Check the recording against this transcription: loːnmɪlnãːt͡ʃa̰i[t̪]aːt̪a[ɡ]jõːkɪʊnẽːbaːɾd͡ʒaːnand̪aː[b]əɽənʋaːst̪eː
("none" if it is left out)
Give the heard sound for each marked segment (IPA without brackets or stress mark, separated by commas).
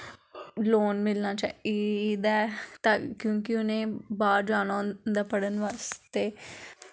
d̪, k, p